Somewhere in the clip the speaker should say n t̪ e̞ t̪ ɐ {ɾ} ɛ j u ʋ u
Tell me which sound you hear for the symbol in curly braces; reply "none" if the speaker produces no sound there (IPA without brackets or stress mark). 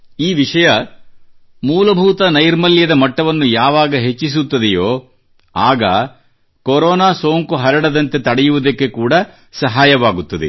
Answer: ɽ